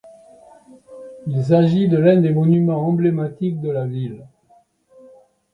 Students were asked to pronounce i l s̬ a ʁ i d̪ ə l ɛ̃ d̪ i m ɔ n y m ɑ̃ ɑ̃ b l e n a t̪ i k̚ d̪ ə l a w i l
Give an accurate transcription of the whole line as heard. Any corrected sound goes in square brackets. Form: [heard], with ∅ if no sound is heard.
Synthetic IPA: i l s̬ a [ʒ] i d̪ ə l ɛ̃ d̪ [e] m ɔ n y m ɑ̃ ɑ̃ b l e [m] a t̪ i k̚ d̪ ə l a [v] i l